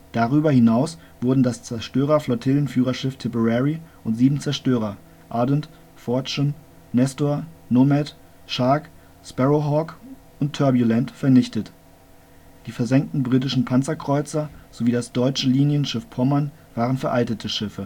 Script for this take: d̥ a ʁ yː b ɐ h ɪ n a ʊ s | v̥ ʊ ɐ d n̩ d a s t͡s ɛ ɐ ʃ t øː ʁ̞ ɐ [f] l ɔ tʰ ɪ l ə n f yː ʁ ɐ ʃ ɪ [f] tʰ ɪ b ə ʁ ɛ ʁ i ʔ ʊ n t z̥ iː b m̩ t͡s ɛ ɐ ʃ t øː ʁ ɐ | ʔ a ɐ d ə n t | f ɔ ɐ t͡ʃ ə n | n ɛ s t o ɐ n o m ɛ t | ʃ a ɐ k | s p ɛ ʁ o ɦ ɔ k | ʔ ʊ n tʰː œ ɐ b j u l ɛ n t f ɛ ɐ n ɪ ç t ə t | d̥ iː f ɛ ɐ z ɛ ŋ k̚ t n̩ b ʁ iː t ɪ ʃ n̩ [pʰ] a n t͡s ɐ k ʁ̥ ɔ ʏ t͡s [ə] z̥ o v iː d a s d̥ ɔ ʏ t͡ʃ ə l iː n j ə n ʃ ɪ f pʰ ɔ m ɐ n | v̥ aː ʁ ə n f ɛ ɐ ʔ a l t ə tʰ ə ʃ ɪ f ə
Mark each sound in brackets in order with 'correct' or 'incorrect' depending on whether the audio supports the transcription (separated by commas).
correct, correct, correct, incorrect